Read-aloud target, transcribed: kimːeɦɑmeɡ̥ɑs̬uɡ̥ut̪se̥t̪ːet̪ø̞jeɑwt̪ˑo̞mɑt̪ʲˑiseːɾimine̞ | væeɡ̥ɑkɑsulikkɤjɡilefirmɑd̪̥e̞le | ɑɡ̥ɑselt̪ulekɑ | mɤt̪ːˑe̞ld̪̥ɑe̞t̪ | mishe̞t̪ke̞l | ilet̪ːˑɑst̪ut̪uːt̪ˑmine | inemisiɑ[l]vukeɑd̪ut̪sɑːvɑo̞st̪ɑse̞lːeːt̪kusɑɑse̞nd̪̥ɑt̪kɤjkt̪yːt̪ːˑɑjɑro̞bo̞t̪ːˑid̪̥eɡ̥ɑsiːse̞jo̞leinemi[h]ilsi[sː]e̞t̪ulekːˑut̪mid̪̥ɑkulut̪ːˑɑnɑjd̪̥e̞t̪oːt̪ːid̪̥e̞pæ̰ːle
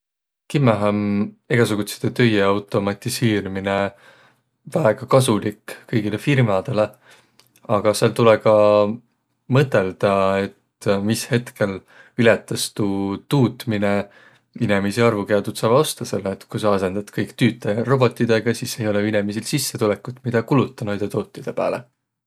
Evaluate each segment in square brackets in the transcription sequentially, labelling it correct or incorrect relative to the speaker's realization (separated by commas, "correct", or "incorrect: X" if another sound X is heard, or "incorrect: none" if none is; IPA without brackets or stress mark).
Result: incorrect: r, incorrect: s, correct